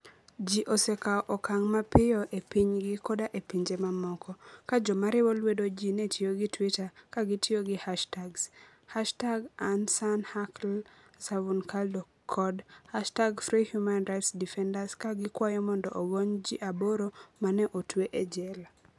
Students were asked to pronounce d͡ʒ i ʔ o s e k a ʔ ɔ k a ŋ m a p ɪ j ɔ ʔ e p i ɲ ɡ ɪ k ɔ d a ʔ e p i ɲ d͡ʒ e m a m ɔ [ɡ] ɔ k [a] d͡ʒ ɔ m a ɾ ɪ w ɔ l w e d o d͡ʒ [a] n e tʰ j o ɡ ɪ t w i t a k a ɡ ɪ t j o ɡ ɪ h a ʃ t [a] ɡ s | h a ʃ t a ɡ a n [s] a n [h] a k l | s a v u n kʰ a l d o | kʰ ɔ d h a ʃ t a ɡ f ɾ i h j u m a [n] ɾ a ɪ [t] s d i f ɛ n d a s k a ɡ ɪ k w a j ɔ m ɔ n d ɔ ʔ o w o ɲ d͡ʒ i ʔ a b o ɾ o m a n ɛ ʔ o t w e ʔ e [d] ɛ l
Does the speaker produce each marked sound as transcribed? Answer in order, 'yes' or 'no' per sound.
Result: no, yes, no, yes, yes, yes, yes, yes, no

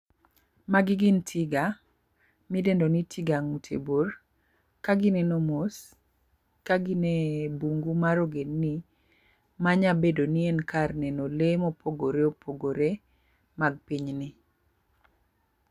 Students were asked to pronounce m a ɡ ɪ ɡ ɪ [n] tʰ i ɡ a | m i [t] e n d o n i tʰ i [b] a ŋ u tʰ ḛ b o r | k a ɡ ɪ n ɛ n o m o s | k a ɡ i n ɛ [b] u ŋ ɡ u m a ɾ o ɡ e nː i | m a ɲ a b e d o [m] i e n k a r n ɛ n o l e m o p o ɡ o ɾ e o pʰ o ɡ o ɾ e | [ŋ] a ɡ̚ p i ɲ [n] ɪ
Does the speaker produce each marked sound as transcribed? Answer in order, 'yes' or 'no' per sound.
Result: yes, no, no, yes, no, no, yes

